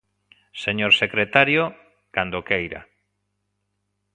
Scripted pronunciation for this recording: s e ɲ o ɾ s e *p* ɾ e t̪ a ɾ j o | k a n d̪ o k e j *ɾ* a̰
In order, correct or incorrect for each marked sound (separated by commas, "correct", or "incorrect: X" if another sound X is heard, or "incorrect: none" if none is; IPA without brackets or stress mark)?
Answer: incorrect: k, correct